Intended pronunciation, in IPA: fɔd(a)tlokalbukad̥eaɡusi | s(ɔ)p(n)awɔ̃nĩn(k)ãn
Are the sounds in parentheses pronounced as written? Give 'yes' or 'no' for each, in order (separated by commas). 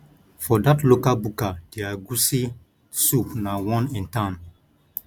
yes, no, yes, no